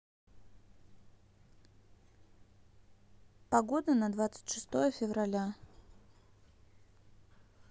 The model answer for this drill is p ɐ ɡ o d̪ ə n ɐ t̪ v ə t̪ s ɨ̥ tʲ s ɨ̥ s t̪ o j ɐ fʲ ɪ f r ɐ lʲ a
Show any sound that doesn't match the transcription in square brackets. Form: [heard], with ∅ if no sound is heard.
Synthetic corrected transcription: p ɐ ɡ o d̪ ə n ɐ [d̪] v [a] t̪ s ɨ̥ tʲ [ʂ] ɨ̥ s t̪ o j [ə] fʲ ɪ [v] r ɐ lʲ a